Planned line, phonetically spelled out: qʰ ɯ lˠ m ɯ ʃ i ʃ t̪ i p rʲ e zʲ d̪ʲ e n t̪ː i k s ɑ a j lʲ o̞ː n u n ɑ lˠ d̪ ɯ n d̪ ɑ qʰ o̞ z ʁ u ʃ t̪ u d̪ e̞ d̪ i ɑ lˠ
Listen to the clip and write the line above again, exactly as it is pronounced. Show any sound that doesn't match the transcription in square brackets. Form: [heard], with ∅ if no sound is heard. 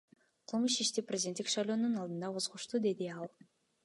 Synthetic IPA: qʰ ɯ lˠ m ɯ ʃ i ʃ t̪ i p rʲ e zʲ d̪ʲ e n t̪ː i k [ʃ] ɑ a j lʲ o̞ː n u n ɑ lˠ d̪ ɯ n d̪ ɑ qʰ o̞ z ʁ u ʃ t̪ u d̪ e̞ d̪ i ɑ lˠ